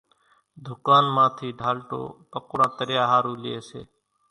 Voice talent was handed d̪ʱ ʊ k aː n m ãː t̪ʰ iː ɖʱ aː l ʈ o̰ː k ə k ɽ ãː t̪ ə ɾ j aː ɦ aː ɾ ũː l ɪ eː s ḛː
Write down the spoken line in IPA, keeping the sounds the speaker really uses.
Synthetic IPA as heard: d̪ʱ ʊ k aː n m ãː t̪ʰ iː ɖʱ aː l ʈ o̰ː p ə k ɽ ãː t̪ ə ɾ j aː ɦ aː ɾ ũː l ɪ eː s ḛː